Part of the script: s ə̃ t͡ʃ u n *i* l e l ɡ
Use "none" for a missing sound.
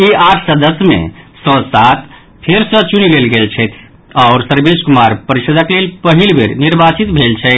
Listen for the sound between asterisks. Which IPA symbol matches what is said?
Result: i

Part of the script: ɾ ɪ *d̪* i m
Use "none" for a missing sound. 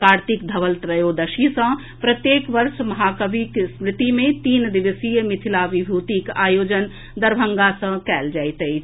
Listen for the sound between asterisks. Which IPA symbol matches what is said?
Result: t̪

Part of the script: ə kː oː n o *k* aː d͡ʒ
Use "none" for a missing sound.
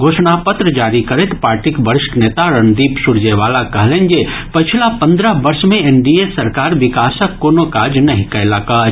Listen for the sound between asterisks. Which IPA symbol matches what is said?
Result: k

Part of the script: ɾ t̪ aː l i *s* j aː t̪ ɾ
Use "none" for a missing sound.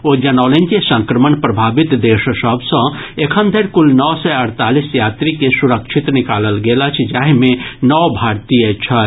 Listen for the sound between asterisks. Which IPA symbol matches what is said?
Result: s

